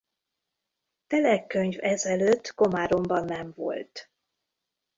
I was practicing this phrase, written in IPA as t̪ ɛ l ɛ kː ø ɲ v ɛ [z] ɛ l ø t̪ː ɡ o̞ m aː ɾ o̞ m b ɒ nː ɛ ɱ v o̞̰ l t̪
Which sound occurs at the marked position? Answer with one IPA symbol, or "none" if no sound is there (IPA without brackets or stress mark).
z